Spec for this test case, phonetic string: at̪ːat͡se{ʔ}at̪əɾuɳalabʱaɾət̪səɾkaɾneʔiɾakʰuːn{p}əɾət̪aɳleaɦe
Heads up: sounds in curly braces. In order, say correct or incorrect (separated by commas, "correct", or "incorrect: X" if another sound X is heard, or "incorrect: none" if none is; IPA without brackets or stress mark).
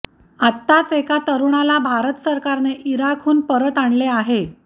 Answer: incorrect: k, correct